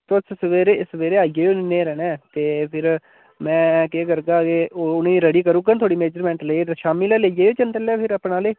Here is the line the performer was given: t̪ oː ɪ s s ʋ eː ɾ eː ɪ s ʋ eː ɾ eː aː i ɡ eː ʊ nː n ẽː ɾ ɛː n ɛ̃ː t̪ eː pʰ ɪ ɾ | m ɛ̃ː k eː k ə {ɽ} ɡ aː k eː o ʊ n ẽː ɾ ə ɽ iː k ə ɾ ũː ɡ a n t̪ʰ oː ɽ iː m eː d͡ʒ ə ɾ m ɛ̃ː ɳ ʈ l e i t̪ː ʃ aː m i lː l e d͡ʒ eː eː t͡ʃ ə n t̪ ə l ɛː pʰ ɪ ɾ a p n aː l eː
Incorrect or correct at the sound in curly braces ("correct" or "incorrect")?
incorrect